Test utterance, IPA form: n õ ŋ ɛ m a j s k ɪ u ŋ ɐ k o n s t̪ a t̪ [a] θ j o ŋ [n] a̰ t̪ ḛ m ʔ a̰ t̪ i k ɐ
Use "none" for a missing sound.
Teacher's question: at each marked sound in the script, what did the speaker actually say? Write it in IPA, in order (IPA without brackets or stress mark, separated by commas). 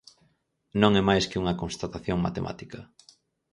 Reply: a, m